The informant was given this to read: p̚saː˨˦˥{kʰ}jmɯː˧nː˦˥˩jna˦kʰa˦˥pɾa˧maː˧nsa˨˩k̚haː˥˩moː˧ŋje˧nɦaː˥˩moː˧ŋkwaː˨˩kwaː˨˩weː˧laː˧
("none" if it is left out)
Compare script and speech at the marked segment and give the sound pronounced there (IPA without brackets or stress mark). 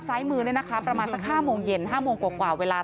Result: none